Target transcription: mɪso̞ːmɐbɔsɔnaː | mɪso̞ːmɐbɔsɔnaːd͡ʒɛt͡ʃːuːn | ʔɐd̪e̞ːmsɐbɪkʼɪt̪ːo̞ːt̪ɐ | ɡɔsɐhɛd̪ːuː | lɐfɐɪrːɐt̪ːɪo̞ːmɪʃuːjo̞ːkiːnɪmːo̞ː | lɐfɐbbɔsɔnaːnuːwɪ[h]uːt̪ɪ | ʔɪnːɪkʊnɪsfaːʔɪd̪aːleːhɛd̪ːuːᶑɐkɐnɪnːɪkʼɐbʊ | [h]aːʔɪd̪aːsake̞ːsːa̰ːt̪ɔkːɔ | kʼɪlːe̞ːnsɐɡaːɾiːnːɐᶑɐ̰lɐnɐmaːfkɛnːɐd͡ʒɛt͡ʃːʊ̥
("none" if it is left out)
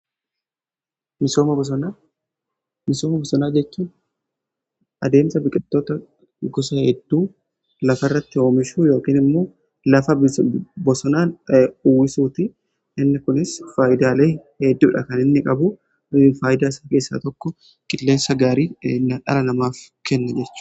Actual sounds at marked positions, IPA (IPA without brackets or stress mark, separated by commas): s, f